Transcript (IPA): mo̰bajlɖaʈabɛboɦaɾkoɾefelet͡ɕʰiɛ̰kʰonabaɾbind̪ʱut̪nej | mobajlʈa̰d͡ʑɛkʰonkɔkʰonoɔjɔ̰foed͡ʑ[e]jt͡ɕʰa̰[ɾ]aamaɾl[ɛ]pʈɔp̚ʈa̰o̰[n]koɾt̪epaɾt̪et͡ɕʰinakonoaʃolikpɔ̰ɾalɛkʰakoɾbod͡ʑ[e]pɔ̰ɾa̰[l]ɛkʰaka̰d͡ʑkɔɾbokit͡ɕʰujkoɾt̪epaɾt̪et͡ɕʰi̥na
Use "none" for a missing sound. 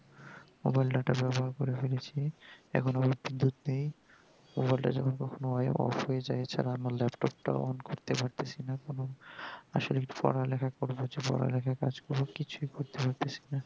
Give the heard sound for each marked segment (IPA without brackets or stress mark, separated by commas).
a, ɾ, ɛ, n, e, l